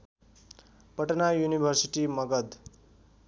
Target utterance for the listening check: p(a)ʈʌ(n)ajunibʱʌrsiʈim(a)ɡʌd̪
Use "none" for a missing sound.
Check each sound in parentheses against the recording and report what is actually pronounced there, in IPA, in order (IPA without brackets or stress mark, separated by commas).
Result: ʌ, n, ʌ